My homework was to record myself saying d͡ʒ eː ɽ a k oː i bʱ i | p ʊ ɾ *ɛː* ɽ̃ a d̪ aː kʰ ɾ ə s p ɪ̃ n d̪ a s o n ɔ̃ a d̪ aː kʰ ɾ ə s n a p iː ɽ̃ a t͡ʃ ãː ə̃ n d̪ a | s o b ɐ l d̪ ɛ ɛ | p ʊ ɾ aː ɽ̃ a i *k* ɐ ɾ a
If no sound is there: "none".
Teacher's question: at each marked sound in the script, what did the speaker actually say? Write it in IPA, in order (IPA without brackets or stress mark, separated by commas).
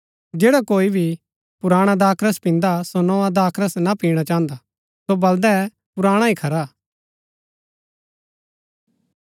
aː, kʰ